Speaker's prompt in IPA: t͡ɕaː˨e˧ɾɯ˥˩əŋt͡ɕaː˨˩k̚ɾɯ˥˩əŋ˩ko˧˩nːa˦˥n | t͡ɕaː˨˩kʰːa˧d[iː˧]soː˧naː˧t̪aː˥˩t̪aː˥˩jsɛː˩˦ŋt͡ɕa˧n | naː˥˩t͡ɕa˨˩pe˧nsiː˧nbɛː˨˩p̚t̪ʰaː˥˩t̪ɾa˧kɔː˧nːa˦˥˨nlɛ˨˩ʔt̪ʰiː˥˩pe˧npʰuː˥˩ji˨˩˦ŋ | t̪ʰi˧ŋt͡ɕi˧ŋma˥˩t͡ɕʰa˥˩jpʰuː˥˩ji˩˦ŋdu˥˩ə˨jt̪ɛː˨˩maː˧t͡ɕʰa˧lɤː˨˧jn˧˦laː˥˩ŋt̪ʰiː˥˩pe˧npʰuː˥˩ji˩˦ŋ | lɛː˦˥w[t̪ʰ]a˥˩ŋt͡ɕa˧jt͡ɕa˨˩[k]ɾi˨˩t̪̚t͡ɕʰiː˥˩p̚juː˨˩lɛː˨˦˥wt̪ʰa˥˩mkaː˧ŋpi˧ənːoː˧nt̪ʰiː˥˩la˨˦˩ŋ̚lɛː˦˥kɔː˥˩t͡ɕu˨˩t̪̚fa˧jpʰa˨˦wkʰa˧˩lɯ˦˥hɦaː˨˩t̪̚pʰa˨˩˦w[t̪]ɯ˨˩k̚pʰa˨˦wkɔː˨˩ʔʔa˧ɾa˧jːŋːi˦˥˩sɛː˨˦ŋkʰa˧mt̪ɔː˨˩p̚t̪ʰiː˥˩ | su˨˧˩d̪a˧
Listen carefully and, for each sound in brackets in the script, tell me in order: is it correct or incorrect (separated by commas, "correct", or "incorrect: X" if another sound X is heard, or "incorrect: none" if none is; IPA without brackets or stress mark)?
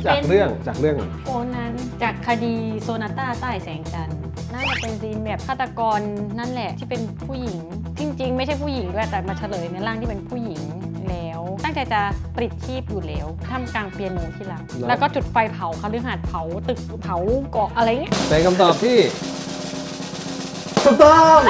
correct, incorrect: t̪, incorrect: p, correct